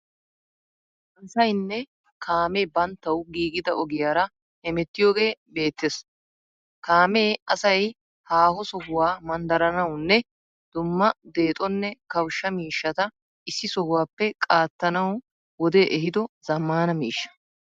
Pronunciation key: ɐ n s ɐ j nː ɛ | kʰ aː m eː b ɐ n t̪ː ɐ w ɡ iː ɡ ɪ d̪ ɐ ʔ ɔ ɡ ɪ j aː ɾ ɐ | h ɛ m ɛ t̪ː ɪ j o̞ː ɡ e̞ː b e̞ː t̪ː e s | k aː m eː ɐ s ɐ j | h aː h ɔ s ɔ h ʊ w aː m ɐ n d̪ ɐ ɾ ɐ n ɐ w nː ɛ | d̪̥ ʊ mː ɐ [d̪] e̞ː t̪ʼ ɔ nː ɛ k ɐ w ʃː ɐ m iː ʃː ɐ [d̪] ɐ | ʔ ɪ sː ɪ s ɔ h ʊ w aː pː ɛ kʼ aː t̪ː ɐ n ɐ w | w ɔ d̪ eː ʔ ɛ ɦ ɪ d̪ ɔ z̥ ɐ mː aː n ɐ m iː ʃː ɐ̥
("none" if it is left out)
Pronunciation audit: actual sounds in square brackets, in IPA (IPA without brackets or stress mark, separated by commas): d̪, t̪